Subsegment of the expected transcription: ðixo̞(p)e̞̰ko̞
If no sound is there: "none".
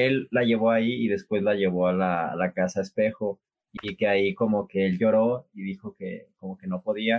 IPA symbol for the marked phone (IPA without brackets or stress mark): k